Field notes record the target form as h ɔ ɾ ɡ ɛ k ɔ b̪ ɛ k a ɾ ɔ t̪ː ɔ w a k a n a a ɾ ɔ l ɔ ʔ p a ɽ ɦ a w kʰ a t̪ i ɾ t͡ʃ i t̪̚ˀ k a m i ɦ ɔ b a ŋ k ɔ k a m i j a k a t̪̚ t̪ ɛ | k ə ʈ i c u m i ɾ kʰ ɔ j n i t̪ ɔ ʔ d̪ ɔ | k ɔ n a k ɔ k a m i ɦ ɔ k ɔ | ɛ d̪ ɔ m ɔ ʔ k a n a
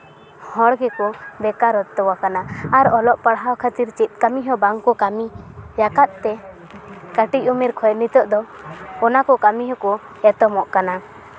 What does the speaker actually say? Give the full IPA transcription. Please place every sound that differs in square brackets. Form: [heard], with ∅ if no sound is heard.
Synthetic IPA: h ɔ [ɽ] ɡ ɛ k ɔ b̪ ɛ k a ɾ ɔ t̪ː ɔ w a k a n a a ɾ ɔ l ɔ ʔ p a ɽ ɦ a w kʰ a t̪ i ɾ t͡ʃ i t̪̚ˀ k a m i ɦ ɔ b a ŋ k ɔ k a m i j a k a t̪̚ t̪ ɛ | k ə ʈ i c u m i ɾ kʰ ɔ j n i t̪ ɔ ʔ d̪ ɔ | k ɔ n a k ɔ k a m i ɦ ɔ k ɔ | ɛ [t̪] ɔ m ɔ ʔ k a n a